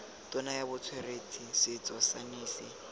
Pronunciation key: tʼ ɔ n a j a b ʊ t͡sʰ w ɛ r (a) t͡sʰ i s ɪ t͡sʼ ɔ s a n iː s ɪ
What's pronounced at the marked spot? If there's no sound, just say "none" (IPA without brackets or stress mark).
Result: e